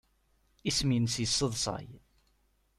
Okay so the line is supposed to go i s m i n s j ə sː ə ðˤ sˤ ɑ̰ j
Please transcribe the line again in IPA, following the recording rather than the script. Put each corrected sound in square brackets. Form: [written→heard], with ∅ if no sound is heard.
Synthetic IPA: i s m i n s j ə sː ə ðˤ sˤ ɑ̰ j